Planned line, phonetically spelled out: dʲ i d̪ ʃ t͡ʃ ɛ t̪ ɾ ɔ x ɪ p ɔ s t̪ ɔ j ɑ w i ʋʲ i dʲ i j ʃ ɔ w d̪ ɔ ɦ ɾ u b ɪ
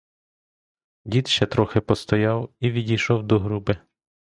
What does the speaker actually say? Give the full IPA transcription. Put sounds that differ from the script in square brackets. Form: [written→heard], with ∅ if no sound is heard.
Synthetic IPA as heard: dʲ i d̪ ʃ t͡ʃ ɛ t̪ ɾ ɔ x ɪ p ɔ s t̪ ɔ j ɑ w i ʋʲ i dʲ i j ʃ ɔ w d̪ ɔ ɦ ɾ u b ɪ